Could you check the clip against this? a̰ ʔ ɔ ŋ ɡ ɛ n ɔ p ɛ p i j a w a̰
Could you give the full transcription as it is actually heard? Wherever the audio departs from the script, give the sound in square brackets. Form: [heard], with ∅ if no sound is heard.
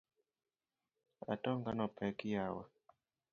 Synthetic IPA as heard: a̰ [t] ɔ ŋ ɡ [a] n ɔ p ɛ [k] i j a w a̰